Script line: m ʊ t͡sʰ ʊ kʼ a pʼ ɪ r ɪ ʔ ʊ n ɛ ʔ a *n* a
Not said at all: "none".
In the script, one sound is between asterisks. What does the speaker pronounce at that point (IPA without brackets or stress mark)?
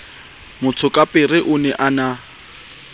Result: n